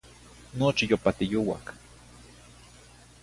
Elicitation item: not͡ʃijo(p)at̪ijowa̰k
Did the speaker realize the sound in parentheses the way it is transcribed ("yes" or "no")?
yes